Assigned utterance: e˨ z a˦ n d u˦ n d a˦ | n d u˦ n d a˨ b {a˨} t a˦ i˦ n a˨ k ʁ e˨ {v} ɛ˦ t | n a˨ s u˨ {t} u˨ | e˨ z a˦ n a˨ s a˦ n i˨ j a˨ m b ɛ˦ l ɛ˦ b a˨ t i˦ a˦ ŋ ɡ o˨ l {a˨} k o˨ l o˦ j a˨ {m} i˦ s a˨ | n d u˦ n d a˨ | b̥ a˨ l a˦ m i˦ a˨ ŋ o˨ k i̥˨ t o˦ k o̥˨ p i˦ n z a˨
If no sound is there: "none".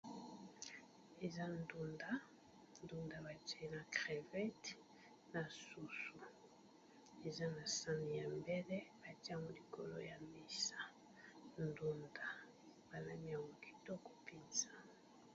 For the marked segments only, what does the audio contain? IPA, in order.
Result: a˨, v, s, i˨, m

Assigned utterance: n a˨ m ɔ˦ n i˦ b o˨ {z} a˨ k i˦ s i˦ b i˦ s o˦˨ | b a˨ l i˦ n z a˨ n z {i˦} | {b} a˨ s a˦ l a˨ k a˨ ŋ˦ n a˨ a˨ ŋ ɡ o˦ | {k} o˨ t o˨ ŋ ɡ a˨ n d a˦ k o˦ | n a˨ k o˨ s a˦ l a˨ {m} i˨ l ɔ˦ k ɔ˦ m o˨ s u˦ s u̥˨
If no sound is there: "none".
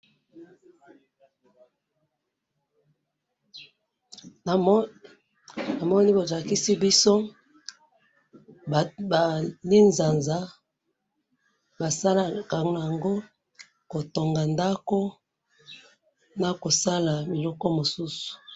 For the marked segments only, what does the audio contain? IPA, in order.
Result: z, a˦, b, k, m

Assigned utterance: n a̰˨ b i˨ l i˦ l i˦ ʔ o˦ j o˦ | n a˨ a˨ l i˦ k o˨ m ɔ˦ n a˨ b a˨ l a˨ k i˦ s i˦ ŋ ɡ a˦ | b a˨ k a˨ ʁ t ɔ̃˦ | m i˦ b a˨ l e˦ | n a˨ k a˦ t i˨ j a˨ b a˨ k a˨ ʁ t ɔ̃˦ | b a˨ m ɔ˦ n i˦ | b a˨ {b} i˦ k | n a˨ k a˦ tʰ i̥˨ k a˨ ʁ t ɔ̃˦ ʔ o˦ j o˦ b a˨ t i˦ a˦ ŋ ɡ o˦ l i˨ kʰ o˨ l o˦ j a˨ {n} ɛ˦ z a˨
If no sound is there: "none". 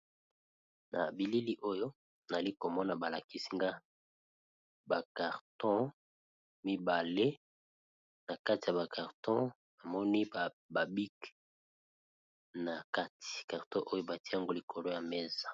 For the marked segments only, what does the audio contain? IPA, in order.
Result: b, m

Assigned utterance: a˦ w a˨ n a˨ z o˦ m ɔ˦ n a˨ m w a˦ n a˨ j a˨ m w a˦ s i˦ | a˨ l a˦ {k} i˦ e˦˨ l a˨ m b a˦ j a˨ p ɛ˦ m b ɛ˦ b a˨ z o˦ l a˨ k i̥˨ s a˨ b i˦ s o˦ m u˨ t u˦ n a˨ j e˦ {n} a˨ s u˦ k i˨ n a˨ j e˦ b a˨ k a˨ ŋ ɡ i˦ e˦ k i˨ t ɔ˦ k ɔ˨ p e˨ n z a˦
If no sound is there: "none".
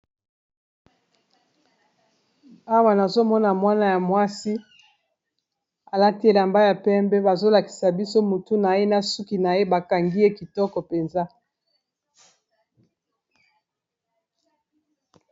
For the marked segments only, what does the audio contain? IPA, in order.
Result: t, n

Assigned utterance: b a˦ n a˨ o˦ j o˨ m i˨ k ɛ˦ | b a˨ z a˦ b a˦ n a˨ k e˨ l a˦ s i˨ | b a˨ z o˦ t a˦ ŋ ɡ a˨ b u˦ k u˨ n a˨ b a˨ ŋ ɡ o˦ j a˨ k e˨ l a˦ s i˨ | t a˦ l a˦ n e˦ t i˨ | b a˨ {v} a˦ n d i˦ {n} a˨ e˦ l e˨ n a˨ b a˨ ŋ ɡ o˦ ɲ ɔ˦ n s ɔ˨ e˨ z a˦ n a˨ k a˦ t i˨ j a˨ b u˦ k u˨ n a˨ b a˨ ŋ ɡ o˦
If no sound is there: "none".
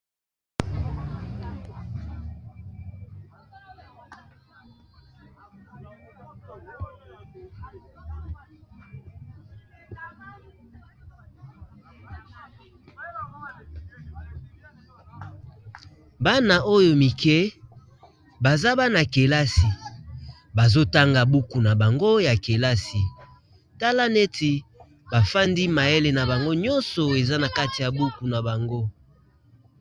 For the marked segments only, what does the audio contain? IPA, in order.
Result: f, m

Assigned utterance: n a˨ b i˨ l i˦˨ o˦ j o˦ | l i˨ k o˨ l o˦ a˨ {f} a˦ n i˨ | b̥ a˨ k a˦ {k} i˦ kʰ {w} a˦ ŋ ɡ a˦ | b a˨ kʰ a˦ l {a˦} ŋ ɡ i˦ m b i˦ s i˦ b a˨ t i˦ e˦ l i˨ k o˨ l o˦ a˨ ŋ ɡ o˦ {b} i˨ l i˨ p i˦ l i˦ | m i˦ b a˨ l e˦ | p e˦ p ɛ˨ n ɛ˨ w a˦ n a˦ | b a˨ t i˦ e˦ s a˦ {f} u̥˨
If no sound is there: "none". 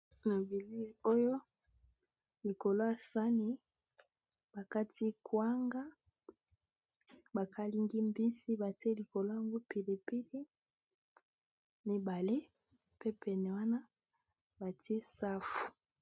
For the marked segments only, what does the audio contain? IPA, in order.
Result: s, t, w, i˦, p, f

